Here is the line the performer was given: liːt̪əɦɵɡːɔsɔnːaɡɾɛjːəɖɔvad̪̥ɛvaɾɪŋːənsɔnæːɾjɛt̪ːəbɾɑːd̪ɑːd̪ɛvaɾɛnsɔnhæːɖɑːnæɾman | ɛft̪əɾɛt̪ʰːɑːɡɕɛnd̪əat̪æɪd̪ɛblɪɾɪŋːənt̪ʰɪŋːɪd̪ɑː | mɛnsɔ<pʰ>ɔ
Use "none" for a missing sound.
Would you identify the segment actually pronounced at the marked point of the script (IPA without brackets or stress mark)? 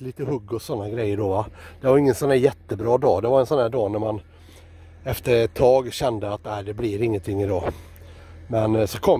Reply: kʰ